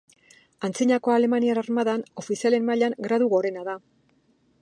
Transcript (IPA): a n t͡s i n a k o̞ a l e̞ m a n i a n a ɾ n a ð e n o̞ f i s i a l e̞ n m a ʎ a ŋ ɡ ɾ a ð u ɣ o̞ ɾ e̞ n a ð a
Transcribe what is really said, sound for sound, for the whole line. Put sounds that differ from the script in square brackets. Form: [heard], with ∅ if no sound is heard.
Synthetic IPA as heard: a n t͡s i [ɲ] a k o̞ a l e̞ m a n i a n a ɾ [m] a ð [a] n o̞ f i s i a l e̞ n m a ʎ a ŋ ɡ ɾ a ð u ɣ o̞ ɾ e̞ n a ð a